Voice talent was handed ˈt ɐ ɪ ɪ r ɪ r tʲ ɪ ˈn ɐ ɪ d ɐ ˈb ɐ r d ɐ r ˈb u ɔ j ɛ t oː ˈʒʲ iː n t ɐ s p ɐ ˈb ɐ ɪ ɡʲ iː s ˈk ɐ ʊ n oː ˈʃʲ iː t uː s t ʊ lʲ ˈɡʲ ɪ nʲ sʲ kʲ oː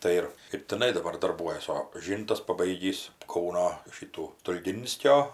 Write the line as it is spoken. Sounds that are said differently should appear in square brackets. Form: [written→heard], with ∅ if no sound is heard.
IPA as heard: ˈt ɐ ɪ ɪ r ɪ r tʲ ɪ ˈn ɐ ɪ d ɐ ˈb ɐ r d ɐ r ˈb u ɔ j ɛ [t→s] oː ˈʒʲ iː n t ɐ s p ɐ ˈb ɐ ɪ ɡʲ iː s ˈk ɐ ʊ n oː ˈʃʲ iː t uː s t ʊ lʲ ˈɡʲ ɪ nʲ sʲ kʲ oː